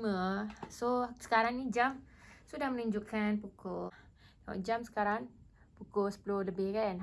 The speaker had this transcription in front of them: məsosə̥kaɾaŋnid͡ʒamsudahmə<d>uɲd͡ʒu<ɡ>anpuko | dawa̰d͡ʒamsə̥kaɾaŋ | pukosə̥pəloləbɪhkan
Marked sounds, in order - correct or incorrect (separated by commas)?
incorrect, incorrect